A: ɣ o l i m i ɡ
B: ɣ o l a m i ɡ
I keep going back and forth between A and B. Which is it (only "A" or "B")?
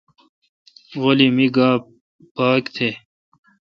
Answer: A